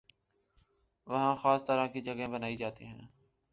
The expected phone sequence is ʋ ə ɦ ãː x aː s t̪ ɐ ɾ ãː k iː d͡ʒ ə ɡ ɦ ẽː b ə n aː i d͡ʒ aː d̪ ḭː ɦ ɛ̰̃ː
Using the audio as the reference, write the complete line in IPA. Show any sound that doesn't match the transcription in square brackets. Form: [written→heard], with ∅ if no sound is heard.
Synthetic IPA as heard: ʋ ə ɦ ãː x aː s t̪ [ɐ→ə] ɾ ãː k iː d͡ʒ ə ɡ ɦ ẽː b ə n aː i d͡ʒ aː [d̪→t̪] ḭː ɦ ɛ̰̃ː